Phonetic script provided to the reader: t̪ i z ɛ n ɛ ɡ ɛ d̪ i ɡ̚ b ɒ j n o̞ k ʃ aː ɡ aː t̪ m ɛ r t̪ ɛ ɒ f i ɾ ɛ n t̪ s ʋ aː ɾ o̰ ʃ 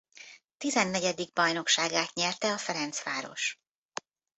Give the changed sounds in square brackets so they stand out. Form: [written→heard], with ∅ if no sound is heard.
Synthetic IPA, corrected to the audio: t̪ i z ɛ [n→nː] ɛ [ɡ→ɟ] ɛ d̪ i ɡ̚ b ɒ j n o̞ k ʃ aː ɡ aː t̪ [m→ɲ] ɛ r t̪ ɛ ɒ f [i→ɛ] ɾ ɛ n t̪ s ʋ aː ɾ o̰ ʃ